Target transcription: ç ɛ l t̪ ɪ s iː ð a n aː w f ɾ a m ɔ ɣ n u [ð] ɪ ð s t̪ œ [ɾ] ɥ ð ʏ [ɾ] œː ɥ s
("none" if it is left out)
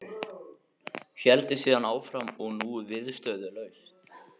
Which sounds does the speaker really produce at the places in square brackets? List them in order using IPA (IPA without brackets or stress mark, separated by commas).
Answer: v, none, l